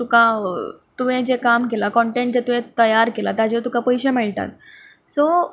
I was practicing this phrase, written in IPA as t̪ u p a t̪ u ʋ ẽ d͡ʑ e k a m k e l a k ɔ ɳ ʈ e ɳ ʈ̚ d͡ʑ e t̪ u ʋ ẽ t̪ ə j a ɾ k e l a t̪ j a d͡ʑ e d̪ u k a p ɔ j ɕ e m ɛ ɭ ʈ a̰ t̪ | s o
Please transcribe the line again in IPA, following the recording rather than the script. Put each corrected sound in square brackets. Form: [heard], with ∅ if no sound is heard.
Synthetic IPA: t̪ u [k] a t̪ u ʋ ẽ d͡ʑ e k a m k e l a k ɔ ɳ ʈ e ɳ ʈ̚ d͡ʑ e t̪ u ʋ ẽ t̪ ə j a ɾ k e l a t̪ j a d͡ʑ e [t̪] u k a p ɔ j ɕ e m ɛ ɭ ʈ a̰ t̪ | s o